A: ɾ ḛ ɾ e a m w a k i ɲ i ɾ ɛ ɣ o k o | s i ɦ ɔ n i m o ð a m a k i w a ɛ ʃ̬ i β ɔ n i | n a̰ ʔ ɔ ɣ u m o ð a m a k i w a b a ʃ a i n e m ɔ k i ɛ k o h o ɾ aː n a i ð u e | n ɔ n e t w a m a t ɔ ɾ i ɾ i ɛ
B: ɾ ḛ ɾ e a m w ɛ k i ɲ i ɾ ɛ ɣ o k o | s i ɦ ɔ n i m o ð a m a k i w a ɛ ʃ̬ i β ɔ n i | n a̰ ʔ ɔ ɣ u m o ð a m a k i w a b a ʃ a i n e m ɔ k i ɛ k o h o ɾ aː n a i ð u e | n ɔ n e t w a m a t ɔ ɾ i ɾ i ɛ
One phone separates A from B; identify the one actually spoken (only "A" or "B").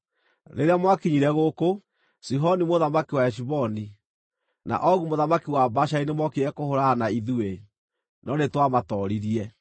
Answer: A